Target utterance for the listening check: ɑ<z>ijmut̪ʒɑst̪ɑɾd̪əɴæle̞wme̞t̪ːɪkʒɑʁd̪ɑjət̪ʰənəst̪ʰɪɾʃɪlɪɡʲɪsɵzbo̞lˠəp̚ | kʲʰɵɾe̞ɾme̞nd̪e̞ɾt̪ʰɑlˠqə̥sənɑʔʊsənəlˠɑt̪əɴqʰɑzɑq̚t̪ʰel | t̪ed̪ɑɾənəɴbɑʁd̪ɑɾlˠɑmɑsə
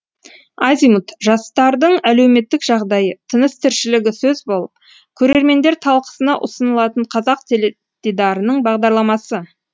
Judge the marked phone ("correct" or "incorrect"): correct